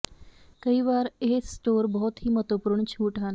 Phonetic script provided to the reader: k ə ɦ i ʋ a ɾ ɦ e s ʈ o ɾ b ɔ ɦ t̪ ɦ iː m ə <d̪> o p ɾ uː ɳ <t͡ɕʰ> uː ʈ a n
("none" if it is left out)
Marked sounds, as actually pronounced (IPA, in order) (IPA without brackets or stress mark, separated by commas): t̪, t͡ɕʰ